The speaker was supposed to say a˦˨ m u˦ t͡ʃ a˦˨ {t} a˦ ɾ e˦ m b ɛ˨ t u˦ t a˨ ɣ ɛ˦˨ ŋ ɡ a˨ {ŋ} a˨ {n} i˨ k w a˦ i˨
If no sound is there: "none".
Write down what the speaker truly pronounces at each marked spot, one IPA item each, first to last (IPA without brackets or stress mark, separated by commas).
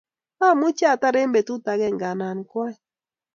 t, n, n